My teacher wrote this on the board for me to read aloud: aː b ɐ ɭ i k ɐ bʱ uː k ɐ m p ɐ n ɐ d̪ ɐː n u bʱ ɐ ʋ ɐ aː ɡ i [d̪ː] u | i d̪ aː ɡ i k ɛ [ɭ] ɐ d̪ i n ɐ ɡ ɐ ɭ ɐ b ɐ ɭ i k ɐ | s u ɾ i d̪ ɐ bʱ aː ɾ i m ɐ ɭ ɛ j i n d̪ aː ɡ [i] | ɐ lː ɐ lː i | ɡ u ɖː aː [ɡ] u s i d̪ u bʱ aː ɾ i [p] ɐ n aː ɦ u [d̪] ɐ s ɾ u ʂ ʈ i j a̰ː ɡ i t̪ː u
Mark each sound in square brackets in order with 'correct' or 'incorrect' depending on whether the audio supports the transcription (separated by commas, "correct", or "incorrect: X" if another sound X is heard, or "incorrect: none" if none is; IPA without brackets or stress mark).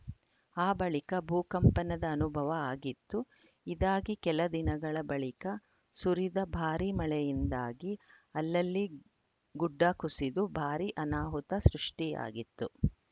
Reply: incorrect: t̪ː, incorrect: l, correct, incorrect: k, incorrect: ʔ, incorrect: t̪